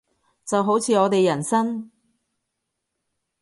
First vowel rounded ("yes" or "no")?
no